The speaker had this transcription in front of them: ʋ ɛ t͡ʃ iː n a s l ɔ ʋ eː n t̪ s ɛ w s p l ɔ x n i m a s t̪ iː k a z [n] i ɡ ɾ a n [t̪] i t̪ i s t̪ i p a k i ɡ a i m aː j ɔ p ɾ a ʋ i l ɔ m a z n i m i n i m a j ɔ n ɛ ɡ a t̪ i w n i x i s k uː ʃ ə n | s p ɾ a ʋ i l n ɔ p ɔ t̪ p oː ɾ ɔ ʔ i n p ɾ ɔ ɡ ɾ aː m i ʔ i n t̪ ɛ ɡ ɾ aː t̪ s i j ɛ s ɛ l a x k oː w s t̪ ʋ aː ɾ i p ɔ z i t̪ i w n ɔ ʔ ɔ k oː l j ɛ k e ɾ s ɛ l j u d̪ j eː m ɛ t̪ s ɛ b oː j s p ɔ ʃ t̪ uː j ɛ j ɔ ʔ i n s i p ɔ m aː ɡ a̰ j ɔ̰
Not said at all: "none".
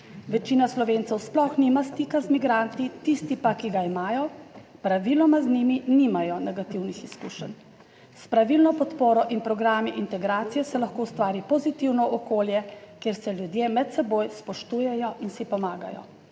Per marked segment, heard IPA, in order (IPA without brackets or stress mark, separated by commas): m, t̪